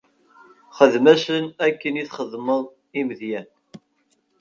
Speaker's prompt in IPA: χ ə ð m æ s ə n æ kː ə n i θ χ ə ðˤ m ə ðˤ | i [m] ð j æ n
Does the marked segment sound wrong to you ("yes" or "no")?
no